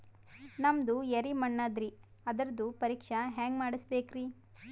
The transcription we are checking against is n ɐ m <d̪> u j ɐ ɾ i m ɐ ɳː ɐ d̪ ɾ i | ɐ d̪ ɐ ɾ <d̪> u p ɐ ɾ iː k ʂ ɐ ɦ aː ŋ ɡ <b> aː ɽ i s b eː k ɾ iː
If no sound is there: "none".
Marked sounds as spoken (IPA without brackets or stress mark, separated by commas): d̪, d̪, m